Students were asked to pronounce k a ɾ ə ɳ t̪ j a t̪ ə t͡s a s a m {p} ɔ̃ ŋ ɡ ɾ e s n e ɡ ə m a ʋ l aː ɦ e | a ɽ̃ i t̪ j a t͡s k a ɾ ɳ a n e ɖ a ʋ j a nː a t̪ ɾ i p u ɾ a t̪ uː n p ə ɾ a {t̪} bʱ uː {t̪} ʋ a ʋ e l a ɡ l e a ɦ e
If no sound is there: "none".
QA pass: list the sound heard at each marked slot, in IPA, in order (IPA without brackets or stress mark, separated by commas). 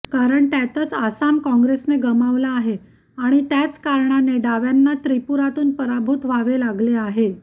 k, none, t̪